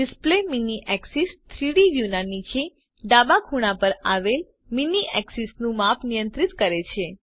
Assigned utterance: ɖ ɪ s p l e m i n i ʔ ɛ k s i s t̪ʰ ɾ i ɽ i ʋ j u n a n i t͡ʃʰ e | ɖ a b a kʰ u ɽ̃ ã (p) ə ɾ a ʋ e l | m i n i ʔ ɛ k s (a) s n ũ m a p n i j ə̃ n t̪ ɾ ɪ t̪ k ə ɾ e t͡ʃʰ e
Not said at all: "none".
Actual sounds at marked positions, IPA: p, i

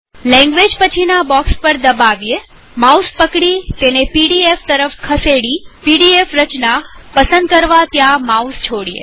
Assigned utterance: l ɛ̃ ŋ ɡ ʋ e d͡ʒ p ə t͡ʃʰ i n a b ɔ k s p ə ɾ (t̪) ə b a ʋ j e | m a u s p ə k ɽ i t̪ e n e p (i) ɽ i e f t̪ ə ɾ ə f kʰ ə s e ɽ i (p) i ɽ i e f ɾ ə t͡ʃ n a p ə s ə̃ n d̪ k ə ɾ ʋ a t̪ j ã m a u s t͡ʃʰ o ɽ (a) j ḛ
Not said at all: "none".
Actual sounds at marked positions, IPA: d̪, i, p, i

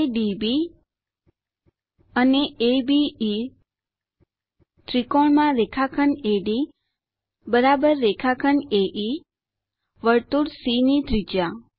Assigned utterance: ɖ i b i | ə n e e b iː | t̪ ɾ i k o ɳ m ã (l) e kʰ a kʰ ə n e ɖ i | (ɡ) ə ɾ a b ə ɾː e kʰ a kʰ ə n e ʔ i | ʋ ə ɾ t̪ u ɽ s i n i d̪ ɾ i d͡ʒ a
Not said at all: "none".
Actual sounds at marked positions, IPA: ɾ, b

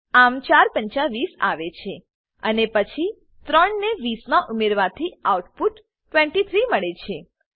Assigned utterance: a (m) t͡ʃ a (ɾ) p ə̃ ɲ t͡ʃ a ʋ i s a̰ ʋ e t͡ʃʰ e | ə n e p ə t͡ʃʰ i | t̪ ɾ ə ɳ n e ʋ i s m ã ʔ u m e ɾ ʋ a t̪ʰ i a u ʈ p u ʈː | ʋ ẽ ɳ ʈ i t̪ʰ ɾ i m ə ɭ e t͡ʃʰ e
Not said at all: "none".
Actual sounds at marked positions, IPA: m, ɾ

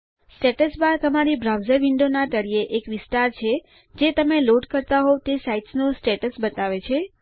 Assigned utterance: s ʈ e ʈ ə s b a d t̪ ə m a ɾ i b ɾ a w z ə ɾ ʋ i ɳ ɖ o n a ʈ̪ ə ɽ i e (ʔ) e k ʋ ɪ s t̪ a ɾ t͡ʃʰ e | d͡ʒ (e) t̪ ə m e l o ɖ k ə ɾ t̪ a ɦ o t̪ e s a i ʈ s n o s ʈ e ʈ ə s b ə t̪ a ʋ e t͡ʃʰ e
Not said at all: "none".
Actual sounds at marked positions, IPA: ʔ, e

